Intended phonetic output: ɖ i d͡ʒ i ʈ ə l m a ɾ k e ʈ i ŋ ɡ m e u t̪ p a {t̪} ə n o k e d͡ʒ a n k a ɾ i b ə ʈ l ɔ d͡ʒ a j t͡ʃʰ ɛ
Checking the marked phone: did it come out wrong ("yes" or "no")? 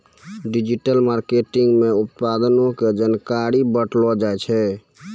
yes